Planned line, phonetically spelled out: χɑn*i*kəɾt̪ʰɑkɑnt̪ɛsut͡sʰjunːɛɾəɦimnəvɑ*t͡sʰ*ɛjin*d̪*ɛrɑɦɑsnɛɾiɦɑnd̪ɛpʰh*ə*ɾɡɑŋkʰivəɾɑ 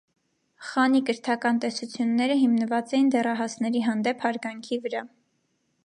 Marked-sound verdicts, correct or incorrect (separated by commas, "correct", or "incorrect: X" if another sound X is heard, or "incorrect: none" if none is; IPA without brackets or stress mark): correct, incorrect: t͡s, correct, incorrect: ɑ